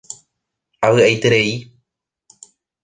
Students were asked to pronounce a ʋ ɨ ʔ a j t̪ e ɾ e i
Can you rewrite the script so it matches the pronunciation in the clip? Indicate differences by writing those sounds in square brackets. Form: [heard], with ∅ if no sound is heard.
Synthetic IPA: a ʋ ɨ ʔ a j t̪ e ɾ e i